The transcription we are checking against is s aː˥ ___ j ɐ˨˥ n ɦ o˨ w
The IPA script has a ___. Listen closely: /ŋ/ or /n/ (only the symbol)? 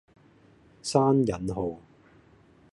n